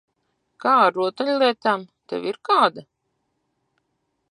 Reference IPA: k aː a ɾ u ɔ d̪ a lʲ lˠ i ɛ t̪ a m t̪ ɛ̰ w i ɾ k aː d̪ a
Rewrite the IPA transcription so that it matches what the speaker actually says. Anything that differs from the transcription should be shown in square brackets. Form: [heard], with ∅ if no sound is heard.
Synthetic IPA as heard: k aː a ɾ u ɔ [t̪] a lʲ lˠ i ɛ t̪ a m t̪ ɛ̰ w i ɾ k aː d̪ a